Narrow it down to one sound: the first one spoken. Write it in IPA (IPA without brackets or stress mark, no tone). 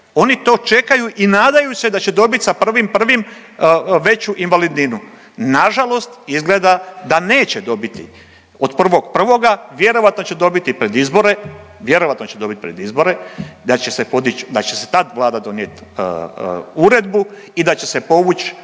o̞